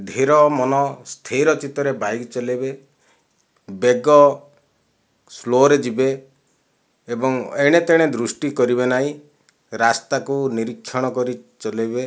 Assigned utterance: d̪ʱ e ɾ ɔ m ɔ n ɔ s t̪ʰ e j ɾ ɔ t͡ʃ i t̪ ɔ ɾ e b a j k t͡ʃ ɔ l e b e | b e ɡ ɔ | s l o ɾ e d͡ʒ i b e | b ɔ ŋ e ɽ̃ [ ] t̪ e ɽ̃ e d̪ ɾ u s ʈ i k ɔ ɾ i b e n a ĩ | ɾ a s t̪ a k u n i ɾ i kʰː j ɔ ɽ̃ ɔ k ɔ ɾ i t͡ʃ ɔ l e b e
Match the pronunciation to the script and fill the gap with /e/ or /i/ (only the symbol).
e